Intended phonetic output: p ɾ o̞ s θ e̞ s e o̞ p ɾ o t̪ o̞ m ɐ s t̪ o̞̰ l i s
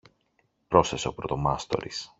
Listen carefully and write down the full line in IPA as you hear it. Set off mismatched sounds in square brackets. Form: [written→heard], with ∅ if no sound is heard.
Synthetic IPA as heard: p ɾ o̞ s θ e̞ s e o̞ p ɾ o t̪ o̞ m ɐ s t̪ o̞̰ [l→ɾ] i s